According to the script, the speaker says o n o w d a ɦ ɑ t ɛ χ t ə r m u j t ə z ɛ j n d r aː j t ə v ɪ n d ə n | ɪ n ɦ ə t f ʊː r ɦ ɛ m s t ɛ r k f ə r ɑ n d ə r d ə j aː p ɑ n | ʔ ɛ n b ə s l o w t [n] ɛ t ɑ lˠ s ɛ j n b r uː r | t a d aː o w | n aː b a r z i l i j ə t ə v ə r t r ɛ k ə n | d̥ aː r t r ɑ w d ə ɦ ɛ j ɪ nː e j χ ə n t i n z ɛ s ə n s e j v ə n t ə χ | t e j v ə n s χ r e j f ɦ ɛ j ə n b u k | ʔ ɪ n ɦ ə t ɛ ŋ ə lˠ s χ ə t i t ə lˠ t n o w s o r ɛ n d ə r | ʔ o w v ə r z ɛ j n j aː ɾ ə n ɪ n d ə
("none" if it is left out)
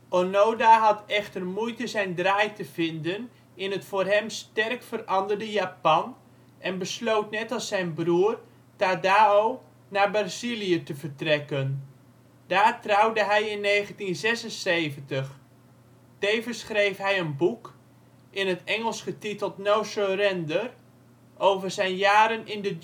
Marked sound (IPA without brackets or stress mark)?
n